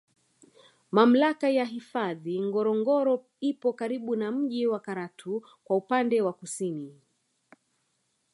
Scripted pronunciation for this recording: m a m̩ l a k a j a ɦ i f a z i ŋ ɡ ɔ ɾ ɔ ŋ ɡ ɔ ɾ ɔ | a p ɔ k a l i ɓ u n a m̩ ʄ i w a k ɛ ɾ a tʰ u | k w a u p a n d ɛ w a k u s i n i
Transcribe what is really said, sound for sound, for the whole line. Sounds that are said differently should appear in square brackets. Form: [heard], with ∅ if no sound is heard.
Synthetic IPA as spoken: m a m̩ l a k a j a ɦ i f a [ð] i ŋ ɡ ɔ ɾ ɔ ŋ ɡ ɔ ɾ ɔ | [i] p ɔ k a [ɾ] i ɓ u n a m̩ ʄ i w a k [a] ɾ a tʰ u | k w a u p a n d ɛ w a k u s i n i